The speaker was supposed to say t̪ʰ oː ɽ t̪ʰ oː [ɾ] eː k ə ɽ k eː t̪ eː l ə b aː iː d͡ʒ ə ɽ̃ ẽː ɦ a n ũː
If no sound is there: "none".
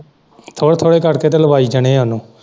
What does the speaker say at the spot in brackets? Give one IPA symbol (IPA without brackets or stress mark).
ɽ